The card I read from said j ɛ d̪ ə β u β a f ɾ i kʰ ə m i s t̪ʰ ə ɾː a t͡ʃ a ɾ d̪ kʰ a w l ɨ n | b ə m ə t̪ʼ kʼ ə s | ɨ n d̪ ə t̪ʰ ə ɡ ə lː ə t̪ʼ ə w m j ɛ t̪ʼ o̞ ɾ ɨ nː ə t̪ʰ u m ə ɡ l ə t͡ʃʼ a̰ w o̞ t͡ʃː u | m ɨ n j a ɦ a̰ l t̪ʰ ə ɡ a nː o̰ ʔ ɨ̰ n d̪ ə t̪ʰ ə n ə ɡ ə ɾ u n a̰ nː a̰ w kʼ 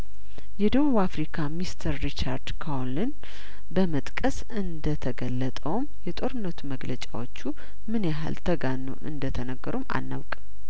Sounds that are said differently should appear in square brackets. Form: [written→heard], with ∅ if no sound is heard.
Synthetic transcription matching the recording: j ɛ d̪ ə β u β a f ɾ i kʰ [ə→a] m i s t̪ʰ ə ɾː [a→i] t͡ʃ a ɾ d̪ kʰ a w l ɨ n | b ə m ə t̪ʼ kʼ ə s | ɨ n d̪ ə t̪ʰ ə ɡ ə lː ə t̪ʼ ə w m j ɛ t̪ʼ o̞ ɾ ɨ nː ə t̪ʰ u m ə ɡ l ə t͡ʃʼ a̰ w o̞ t͡ʃː u | m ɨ n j a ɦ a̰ l t̪ʰ ə ɡ a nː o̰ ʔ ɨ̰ n d̪ ə t̪ʰ ə n ə ɡ ə ɾ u [n→m] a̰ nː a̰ w kʼ

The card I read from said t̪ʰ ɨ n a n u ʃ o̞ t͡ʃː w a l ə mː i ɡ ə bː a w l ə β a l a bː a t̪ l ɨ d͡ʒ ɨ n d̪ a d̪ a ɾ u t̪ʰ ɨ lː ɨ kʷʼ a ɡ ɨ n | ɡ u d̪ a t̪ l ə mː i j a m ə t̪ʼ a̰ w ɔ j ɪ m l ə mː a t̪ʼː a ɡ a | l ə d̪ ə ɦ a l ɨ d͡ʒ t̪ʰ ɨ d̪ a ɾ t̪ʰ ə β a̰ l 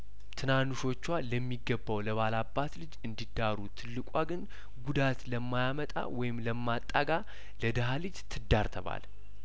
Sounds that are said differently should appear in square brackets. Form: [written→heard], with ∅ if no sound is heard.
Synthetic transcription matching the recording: t̪ʰ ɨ n a n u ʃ o̞ t͡ʃː w a l ə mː i ɡ ə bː a w l ə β a l a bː a t̪ l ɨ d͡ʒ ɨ n d̪ [a→i] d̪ a ɾ u t̪ʰ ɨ lː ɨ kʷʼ a ɡ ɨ n | ɡ u d̪ a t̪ l ə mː [i→a] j a m ə t̪ʼ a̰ w ɔ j ɪ m l ə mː a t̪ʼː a ɡ a | l ə d̪ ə ɦ a l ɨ d͡ʒ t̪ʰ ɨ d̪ a ɾ t̪ʰ ə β a̰ l

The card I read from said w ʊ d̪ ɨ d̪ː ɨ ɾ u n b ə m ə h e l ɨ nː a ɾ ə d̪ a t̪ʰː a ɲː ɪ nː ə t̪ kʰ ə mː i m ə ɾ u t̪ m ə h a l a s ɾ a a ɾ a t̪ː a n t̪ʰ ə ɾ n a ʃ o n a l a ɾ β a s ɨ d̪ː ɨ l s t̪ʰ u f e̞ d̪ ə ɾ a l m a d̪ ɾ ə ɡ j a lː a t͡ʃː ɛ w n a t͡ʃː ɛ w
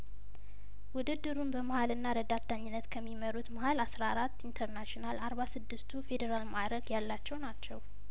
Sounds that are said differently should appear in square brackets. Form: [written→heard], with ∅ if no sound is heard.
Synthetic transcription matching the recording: w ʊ d̪ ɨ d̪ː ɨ ɾ u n b ə m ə h [e→a] l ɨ nː a ɾ ə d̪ a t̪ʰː a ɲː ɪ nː ə t̪ kʰ ə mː i m ə ɾ u t̪ m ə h a l a s ɾ a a ɾ a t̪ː [a→i] n t̪ʰ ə ɾ n a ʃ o n a l a ɾ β a s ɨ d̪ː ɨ [l→∅] s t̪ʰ u f e̞ d̪ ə ɾ a l m a d̪ ɾ ə ɡ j a lː a t͡ʃː ɛ w n a t͡ʃː ɛ w

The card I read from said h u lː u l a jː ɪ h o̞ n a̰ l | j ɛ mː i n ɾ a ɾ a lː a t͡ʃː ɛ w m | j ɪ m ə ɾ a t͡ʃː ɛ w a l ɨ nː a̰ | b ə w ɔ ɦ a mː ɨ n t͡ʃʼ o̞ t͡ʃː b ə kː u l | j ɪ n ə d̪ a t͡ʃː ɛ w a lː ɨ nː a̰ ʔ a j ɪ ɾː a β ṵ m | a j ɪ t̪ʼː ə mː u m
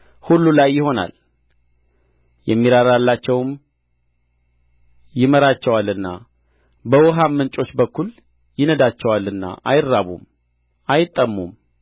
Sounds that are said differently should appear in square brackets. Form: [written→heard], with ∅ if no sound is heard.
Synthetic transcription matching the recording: h u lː u l a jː ɪ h o̞ n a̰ l | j ɛ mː i [n→∅] ɾ a ɾ a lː a t͡ʃː ɛ w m | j ɪ m ə ɾ a t͡ʃː ɛ w a l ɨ nː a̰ | b ə w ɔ ɦ a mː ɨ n t͡ʃʼ o̞ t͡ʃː b ə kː u l | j ɪ n ə d̪ a t͡ʃː ɛ w a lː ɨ nː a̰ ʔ a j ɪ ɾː a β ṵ m | a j ɪ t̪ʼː ə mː u m

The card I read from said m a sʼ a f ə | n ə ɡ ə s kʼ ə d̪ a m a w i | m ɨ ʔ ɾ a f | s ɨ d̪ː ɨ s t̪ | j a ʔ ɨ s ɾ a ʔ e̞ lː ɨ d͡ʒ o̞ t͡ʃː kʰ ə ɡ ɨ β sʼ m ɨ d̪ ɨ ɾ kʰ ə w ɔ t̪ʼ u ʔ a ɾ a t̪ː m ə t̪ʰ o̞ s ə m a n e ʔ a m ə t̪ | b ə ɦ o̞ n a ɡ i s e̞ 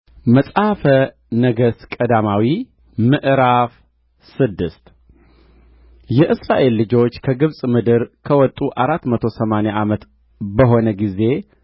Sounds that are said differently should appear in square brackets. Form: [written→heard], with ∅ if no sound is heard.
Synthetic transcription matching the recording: m [a→ə] sʼ a f ə | n ə ɡ ə s kʼ ə d̪ a m a w i | m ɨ ʔ ɾ a f | s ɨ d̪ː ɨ s t̪ | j [a→ɛ] ʔ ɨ s ɾ a ʔ e̞ lː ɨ d͡ʒ o̞ t͡ʃː kʰ ə ɡ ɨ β sʼ m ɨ d̪ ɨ ɾ kʰ ə w ɔ t̪ʼ u ʔ a ɾ a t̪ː m ə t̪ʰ o̞ s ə m a n e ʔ a m ə t̪ | b ə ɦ o̞ n [a→ə] ɡ i [s→z] e̞

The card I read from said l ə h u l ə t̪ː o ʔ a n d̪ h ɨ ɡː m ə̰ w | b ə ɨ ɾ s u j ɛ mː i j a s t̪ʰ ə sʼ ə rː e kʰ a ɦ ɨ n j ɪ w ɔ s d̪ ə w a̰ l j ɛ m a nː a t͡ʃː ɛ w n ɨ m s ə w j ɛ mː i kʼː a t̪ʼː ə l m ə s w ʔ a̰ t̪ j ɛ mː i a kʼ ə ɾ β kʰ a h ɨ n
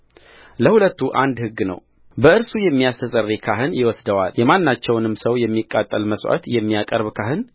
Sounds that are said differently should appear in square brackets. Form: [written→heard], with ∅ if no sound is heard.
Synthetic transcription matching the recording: l ə h u l ə t̪ː [o→u] ʔ a n d̪ h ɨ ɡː [m→n] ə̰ w | b ə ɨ ɾ s u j ɛ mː i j a s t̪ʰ ə sʼ ə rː e kʰ a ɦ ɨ n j ɪ w ɔ s d̪ ə w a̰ l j ɛ m a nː a t͡ʃː ɛ w n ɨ m s ə w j ɛ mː i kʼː a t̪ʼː ə l m ə s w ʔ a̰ t̪ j ɛ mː i a kʼ ə ɾ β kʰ a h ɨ n

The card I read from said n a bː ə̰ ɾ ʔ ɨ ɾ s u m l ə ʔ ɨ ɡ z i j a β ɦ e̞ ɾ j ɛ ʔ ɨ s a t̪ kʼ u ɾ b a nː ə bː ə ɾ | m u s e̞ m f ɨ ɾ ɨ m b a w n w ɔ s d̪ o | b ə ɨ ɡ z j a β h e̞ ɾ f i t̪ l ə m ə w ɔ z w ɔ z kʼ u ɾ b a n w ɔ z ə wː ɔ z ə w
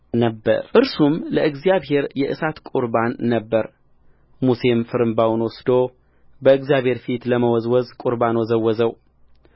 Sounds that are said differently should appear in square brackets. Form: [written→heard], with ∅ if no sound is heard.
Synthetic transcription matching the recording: n [a→ə] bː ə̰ ɾ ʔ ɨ ɾ s u m l ə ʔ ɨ ɡ z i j a β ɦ e̞ ɾ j ɛ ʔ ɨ s a t̪ kʼ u ɾ b a nː ə bː ə ɾ | m u s e̞ m f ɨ ɾ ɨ m b a w n w ɔ s d̪ o | b ə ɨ ɡ z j a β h e̞ ɾ f i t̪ l ə m ə w ɔ z w ɔ z kʼ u ɾ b a n w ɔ z ə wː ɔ z ə w

